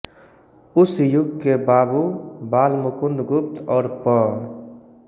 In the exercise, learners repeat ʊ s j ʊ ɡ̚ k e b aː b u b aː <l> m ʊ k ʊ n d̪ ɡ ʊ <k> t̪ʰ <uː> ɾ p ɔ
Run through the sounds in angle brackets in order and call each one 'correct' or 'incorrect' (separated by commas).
correct, incorrect, incorrect